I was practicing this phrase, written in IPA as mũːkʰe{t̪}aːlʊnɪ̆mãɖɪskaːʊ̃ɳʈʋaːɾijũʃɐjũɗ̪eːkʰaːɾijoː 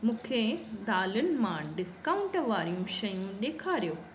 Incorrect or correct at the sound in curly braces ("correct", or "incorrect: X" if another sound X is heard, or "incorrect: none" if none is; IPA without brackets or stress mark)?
incorrect: d̪